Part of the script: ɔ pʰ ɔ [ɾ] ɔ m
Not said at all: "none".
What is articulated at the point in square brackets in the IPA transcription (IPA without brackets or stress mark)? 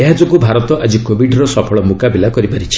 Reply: ɭ